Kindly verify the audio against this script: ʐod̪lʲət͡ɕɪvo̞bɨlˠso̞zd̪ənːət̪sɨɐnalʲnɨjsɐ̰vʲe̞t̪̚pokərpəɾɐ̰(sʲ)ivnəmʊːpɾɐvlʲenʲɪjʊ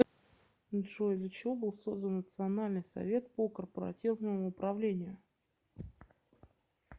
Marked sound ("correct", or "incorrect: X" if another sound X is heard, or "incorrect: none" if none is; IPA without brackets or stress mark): incorrect: tʲ